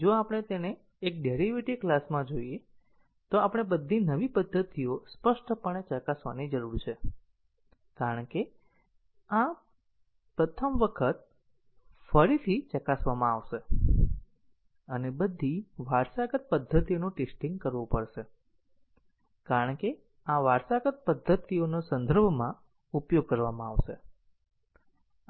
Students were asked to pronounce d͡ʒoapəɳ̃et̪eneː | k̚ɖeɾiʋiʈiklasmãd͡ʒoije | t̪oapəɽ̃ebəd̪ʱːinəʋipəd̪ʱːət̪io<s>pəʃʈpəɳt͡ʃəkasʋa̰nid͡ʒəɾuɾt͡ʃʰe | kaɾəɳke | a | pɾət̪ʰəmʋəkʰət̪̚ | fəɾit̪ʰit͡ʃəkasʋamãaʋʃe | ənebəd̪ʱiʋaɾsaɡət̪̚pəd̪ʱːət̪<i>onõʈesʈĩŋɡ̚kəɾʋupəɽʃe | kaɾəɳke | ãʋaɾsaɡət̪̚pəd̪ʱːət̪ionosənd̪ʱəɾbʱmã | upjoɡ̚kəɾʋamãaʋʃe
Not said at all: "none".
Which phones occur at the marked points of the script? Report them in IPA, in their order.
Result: s, i

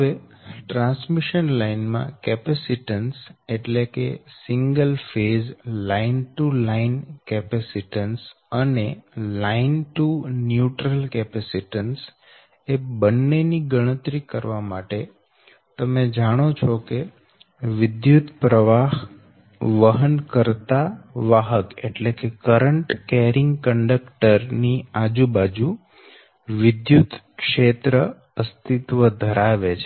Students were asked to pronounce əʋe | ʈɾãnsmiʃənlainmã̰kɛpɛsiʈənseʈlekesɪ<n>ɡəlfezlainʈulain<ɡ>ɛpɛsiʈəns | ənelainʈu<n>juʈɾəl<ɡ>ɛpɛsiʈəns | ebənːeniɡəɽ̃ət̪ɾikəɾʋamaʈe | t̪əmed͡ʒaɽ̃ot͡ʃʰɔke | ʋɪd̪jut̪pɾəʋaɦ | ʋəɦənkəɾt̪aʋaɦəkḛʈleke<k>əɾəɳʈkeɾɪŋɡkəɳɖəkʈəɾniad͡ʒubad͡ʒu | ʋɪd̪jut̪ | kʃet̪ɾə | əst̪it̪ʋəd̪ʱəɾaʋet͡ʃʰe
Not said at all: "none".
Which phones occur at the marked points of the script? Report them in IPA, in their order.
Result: ŋ, k, n, k, k

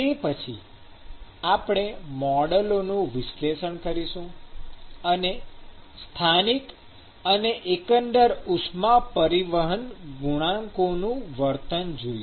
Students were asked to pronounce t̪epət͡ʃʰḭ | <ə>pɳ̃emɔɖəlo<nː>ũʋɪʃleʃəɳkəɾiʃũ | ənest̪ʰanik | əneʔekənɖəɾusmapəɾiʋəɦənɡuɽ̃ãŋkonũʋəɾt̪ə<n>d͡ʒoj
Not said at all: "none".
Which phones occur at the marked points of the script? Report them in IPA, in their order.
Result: a, n, n

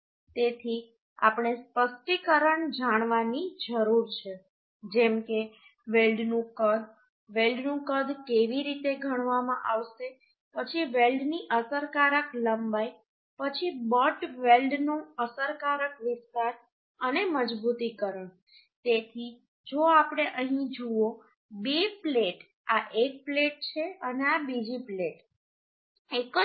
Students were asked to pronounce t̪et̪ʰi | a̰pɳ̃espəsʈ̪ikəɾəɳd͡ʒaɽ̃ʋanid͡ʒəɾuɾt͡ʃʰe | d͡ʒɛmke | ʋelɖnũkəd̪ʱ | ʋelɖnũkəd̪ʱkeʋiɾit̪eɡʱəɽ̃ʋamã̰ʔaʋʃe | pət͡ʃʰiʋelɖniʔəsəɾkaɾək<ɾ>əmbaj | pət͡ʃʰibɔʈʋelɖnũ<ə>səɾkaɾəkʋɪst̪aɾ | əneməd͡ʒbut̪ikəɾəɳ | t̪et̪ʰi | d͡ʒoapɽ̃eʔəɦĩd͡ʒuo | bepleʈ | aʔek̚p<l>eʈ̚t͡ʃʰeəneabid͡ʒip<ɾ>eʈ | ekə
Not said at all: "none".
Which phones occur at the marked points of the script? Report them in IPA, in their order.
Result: l, ə, l, l

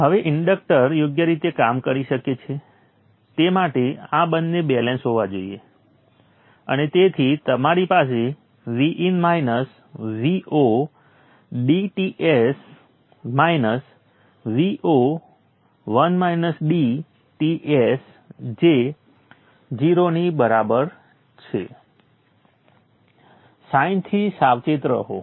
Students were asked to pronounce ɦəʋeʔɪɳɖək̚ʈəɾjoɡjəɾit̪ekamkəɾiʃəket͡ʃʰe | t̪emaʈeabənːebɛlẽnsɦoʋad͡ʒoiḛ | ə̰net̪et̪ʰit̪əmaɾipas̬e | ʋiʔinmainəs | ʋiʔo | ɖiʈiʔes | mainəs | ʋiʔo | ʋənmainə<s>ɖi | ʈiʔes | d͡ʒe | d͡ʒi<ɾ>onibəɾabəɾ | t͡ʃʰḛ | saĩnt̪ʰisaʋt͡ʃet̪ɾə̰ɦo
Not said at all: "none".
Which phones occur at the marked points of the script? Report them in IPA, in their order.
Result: s, ɾ

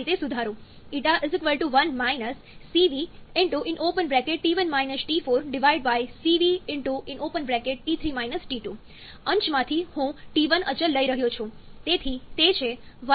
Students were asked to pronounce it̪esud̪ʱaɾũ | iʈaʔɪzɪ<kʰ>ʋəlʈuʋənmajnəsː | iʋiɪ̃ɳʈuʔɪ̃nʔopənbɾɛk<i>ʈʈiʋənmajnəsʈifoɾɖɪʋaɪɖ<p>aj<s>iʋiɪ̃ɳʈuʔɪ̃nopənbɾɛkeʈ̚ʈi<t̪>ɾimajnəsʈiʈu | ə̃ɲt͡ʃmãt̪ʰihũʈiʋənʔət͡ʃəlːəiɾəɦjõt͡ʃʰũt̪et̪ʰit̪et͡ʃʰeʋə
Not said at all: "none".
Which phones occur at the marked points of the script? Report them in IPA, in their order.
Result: k, e, b, s, t̪ʰ

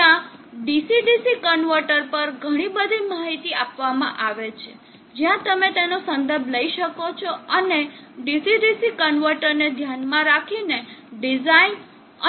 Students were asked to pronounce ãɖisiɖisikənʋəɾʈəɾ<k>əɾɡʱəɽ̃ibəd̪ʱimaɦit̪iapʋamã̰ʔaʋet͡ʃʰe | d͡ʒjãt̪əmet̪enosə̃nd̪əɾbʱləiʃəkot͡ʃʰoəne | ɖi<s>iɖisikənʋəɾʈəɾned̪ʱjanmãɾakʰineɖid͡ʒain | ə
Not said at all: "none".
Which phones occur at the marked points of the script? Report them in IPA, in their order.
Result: p, s

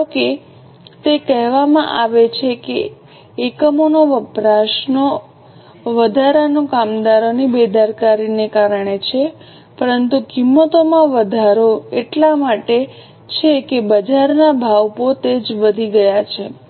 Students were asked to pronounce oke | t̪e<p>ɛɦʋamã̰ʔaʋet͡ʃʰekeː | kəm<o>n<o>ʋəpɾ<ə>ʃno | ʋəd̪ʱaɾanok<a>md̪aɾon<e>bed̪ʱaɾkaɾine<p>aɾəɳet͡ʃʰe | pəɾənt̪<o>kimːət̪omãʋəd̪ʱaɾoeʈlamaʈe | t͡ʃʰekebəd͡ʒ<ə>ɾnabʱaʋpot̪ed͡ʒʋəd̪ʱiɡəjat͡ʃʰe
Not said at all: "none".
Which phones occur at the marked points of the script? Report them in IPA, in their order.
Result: k, o, o, a, a, i, k, u, a

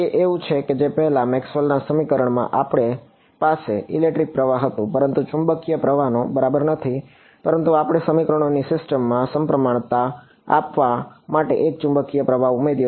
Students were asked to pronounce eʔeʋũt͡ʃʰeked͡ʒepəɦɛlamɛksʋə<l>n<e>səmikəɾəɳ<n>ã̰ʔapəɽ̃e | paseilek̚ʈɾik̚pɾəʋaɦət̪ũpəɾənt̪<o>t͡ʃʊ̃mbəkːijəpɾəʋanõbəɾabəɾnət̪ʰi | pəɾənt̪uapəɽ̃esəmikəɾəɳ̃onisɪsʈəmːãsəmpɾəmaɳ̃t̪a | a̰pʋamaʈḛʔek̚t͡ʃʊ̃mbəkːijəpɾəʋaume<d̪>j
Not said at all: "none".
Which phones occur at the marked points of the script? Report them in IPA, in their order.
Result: l, a, m, u, d̪

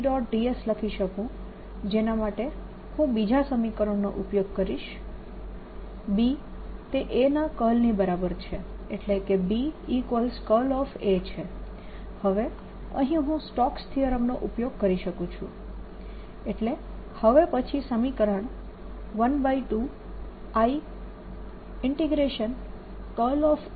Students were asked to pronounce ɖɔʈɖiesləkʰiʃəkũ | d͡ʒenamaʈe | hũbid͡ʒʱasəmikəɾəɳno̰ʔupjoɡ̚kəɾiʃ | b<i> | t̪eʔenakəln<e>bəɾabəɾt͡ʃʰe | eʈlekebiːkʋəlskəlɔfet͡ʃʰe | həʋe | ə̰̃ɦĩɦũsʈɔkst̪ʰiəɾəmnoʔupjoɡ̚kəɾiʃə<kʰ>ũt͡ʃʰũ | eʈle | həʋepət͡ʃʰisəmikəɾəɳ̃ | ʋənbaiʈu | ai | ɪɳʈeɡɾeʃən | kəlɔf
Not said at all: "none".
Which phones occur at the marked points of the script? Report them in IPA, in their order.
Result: i, i, k

